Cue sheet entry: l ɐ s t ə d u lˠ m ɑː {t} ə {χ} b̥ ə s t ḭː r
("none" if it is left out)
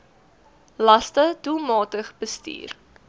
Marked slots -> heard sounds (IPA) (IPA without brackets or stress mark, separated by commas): t, χ